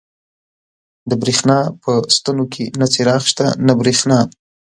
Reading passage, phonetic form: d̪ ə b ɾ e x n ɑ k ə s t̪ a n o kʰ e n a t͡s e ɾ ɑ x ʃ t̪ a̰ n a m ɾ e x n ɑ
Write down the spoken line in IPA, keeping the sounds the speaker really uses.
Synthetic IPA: d̪ ə b ɾ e x n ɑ p ə s t̪ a n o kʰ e n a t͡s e ɾ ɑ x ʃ t̪ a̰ n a b ɾ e x n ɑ